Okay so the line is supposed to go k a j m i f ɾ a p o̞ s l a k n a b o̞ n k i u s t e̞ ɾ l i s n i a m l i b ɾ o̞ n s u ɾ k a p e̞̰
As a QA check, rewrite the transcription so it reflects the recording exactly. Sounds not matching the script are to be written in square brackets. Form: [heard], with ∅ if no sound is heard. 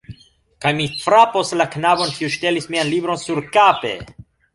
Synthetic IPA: k a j m i f ɾ a p o̞ s l a k n a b o̞ n k i u [ʃ] t e̞ [∅] l i s [m] i a [n] l i b ɾ o̞ n s u ɾ k a p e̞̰